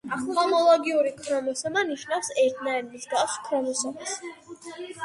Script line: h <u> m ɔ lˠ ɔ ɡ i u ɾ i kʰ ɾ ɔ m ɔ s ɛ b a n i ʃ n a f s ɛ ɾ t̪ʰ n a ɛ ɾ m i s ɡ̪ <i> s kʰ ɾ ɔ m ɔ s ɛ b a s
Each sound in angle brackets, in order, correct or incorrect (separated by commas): incorrect, incorrect